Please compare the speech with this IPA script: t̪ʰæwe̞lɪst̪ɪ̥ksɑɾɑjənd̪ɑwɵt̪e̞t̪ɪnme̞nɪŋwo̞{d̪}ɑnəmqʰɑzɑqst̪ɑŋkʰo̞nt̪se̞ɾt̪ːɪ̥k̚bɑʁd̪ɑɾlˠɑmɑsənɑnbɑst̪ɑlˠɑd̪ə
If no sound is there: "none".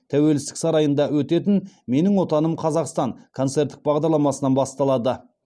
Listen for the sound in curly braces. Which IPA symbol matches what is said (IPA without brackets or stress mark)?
t̪